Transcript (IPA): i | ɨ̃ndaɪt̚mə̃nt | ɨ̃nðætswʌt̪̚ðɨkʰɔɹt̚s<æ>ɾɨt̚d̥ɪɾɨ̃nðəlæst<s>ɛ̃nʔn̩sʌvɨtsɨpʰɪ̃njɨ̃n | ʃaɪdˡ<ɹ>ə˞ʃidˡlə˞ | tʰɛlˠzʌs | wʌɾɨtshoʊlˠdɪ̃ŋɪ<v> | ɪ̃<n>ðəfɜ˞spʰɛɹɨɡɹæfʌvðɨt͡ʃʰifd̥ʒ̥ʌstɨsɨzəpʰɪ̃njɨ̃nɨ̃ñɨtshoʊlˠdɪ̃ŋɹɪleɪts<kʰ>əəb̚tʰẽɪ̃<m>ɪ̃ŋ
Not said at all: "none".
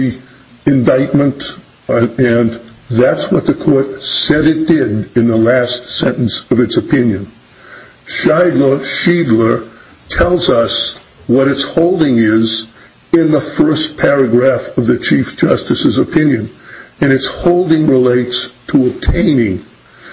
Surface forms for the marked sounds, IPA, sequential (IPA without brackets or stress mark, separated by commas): ɛ, s, l, z, n, tʰ, n